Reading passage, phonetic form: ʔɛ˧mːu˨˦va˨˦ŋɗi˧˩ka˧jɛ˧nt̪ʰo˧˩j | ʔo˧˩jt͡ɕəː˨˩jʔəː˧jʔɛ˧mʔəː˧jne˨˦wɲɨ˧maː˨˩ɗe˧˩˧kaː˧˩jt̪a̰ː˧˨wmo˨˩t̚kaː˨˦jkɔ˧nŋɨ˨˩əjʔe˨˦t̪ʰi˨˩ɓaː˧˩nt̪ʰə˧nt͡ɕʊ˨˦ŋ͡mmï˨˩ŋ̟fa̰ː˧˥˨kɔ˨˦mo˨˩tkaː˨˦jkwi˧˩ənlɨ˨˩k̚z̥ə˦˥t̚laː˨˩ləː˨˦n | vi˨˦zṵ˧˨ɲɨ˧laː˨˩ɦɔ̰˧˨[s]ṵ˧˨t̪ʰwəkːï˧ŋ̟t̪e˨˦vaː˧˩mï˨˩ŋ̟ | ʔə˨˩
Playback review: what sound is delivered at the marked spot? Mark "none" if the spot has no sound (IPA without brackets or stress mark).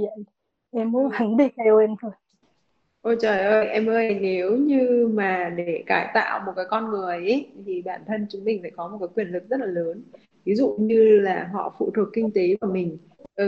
f